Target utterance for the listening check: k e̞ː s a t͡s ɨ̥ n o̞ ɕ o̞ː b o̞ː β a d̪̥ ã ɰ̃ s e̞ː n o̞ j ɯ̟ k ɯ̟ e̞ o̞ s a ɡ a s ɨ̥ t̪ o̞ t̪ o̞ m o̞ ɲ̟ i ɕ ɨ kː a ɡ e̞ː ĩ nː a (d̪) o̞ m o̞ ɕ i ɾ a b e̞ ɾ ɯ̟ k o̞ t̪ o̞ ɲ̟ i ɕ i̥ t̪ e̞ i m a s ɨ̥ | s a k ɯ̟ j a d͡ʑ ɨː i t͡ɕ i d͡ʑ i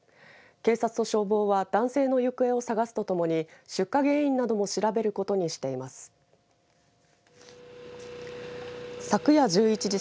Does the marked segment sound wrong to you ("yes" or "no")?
no